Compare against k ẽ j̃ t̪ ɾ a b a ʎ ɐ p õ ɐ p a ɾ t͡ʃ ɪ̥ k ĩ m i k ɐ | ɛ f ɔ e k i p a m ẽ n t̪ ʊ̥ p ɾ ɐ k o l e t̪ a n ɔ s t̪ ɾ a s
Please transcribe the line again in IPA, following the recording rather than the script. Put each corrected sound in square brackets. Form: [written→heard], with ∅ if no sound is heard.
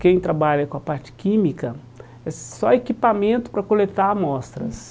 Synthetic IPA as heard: k ẽ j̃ t̪ ɾ a b a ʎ ɐ [p→k] õ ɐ p a ɾ t͡ʃ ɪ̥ k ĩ m i k ɐ | ɛ [f→s] ɔ e k i p a m ẽ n t̪ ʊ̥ p ɾ ɐ k o l e t̪ a [n→m] ɔ s t̪ ɾ [a→ɐ] s